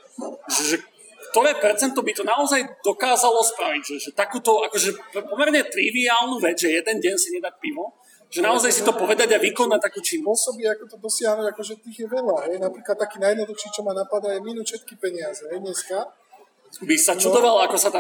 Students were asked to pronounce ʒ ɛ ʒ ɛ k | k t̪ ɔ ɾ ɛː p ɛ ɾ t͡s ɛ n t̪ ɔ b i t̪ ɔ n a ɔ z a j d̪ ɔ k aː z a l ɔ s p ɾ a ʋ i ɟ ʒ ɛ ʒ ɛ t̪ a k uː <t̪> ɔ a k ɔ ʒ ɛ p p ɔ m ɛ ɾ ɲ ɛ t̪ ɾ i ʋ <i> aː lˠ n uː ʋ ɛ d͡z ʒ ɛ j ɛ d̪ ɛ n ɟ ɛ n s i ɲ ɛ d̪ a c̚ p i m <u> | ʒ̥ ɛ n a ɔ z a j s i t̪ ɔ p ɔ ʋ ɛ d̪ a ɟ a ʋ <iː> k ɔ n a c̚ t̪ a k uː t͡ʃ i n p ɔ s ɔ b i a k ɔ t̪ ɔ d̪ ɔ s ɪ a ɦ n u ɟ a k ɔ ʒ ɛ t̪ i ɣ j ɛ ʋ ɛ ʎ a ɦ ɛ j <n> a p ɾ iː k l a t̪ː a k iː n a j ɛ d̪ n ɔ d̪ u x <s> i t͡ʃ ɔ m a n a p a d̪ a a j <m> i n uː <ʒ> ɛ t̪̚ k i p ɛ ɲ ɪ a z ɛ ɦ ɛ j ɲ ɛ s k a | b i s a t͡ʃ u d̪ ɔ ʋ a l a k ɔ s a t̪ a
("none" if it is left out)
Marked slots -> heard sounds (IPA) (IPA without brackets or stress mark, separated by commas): t̪, i, ɔ, i, n, ʃ, m, ʃ